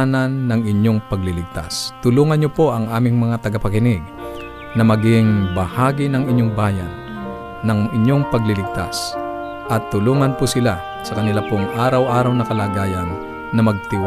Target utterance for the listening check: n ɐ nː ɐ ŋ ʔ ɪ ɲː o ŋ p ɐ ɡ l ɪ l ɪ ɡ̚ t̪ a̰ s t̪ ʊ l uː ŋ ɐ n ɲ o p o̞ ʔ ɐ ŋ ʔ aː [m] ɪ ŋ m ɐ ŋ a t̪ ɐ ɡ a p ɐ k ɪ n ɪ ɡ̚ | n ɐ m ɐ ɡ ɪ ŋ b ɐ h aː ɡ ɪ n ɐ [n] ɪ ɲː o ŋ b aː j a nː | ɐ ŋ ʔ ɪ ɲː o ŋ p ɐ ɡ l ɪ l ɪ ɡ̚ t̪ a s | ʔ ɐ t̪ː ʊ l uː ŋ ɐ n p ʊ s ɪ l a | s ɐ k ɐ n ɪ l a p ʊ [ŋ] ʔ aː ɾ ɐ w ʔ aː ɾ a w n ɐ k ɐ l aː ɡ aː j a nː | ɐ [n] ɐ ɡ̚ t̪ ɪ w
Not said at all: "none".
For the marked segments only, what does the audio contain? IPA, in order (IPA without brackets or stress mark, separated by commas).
m, ŋ, ŋ, m